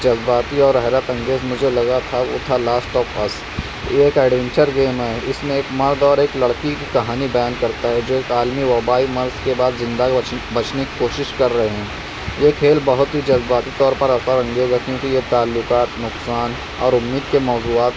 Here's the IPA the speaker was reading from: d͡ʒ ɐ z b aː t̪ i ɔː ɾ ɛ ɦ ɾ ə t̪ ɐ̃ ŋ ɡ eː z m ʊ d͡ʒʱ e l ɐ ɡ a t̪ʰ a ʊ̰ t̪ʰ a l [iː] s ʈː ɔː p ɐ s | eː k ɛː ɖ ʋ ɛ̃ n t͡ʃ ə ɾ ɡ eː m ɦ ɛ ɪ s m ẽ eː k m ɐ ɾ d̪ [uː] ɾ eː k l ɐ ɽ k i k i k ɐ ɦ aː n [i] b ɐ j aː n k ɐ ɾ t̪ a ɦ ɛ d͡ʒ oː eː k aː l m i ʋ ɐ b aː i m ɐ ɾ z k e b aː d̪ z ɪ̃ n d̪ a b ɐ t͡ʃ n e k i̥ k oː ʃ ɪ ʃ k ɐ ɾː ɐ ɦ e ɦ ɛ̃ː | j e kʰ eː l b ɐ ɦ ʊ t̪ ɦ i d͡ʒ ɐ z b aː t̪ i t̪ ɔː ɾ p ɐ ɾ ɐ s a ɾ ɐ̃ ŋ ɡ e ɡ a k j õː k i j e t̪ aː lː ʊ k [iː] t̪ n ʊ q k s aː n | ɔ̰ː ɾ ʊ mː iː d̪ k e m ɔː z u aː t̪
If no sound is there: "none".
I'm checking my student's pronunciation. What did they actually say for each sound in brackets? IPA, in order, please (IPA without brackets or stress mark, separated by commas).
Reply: aː, ɔː, i, aː